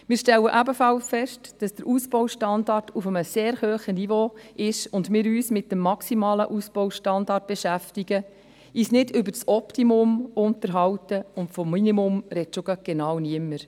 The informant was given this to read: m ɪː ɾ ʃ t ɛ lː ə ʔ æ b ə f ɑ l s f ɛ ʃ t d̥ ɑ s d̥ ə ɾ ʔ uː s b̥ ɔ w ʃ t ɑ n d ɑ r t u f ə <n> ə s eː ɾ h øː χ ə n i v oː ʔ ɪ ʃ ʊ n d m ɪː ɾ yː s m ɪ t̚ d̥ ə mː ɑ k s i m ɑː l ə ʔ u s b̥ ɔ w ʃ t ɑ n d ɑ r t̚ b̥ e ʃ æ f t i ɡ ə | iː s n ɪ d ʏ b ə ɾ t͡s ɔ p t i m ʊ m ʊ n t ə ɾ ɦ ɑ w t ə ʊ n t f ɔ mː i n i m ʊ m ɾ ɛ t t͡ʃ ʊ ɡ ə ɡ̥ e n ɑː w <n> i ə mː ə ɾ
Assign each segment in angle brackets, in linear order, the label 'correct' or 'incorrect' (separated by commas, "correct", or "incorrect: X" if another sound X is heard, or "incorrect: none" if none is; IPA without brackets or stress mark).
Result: incorrect: m, correct